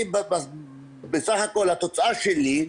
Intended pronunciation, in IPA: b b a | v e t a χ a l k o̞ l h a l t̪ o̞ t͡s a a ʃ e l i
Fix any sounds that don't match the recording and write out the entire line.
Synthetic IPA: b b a | b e s a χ a k o̞ l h a t̪ o̞ t͡s a a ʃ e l i